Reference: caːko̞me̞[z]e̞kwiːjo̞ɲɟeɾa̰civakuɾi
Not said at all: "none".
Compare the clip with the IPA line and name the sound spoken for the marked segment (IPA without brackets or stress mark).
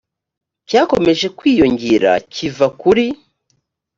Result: ʒ